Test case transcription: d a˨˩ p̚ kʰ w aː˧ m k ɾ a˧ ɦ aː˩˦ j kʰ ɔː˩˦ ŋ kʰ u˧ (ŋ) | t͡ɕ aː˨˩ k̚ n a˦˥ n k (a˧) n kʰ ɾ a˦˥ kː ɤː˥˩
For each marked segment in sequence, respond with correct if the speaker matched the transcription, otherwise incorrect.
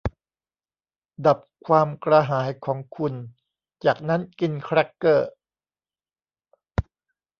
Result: incorrect, incorrect

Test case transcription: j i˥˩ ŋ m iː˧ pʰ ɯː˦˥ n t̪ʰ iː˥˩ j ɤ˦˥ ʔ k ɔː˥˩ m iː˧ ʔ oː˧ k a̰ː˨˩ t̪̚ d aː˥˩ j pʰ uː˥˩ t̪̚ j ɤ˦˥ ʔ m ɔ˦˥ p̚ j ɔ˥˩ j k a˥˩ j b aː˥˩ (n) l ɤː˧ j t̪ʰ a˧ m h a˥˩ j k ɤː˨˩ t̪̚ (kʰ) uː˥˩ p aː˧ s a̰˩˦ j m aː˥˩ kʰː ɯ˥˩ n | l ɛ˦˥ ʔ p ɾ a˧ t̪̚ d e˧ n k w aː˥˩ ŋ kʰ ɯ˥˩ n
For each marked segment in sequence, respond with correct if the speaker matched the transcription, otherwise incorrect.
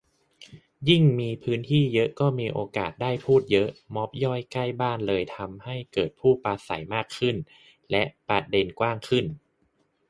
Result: correct, incorrect

